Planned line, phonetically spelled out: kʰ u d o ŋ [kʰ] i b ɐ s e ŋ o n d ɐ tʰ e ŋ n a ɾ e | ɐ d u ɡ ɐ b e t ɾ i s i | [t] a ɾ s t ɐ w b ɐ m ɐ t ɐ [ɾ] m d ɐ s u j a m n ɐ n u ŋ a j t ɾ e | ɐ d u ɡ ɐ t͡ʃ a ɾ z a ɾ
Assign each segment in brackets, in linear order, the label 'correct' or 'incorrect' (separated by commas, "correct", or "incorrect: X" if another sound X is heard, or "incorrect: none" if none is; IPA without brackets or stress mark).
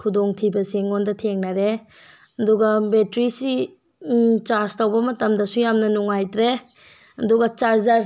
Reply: incorrect: tʰ, incorrect: t͡ʃ, incorrect: none